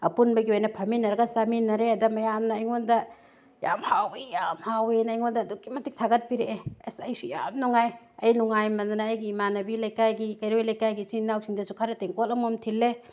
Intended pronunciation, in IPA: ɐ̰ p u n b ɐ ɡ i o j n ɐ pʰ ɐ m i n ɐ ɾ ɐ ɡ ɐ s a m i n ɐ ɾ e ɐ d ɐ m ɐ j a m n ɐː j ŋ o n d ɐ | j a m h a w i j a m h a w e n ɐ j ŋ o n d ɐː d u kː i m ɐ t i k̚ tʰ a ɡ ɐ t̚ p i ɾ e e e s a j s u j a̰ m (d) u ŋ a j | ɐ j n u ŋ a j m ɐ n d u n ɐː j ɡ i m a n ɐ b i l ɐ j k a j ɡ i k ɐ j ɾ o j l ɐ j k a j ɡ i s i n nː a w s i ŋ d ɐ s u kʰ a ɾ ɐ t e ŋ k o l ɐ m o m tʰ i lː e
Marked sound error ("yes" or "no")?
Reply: yes